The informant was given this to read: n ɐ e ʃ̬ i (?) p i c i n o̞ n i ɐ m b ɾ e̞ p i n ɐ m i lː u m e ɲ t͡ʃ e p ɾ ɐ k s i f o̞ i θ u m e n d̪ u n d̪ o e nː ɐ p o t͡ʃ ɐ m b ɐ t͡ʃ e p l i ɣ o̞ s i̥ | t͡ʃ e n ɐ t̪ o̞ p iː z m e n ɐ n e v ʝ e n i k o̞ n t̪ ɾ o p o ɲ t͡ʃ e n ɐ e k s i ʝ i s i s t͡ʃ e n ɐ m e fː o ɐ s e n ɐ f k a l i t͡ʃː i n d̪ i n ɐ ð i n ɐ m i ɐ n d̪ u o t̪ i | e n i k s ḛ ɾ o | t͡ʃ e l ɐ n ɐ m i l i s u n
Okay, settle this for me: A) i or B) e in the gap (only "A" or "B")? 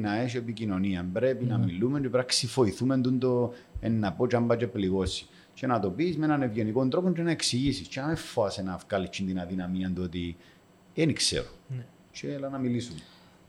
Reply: B